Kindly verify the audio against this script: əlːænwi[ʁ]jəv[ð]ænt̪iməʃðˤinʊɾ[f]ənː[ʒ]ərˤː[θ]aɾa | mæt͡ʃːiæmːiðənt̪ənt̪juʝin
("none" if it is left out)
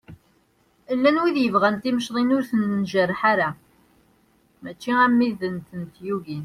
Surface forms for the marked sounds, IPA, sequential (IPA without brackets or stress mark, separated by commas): ð, ʁ, θ, ʒ, ħ